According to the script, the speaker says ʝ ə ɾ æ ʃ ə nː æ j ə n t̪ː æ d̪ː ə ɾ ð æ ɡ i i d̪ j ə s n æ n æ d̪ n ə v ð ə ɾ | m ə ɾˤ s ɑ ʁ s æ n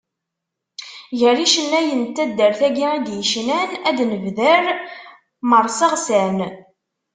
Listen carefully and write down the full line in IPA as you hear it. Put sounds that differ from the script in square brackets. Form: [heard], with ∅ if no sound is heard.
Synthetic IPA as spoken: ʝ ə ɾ [i] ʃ ə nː æ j ə n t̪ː æ d̪ː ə ɾ [θ] æ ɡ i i d̪ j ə [ʃ] n æ n æ d̪ n ə v ð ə ɾ | m ə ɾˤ s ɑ ʁ s æ n